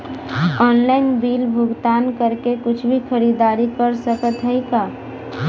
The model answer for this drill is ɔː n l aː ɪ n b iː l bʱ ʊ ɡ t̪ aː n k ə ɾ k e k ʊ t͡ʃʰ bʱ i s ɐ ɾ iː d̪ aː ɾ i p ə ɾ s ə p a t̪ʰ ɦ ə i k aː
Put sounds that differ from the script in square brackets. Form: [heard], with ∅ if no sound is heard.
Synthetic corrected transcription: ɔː n l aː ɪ n b iː l bʱ ʊ ɡ t̪ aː n k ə ɾ k e k ʊ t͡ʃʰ bʱ i [x] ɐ ɾ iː d̪ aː ɾ i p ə ɾ s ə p [ə] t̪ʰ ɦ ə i k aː